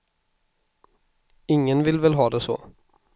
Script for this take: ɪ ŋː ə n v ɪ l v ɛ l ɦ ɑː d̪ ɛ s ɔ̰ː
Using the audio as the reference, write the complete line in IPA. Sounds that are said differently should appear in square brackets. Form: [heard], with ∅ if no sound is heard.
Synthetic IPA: ɪ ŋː ə n v ɪ l v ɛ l ɦ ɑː d̪ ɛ s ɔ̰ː